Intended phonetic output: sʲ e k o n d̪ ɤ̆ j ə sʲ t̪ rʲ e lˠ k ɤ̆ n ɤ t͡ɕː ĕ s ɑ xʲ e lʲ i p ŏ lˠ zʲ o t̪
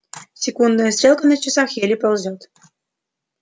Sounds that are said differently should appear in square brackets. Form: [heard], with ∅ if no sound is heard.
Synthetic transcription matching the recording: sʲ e k [u] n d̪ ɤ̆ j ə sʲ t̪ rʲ e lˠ k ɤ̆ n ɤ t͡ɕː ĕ s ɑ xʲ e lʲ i p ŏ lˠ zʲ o t̪